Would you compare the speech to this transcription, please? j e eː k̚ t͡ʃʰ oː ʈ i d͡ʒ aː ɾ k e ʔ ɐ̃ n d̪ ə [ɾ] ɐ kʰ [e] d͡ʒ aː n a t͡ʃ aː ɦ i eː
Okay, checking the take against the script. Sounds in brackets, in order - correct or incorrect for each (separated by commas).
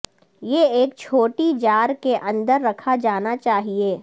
incorrect, incorrect